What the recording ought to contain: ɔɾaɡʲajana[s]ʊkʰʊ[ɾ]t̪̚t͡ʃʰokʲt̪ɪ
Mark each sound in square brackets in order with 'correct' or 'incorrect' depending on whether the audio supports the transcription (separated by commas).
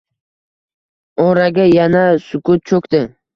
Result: correct, incorrect